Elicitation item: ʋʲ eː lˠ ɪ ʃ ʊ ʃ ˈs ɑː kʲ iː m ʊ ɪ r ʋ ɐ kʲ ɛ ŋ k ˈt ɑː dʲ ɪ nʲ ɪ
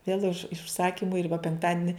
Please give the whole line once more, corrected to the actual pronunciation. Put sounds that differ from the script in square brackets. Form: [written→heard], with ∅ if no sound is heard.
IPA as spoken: ʋʲ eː lˠ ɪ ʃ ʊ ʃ ˈs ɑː kʲ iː m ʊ ɪ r ʋ ɐ [kʲ→pʲ] ɛ ŋ k ˈt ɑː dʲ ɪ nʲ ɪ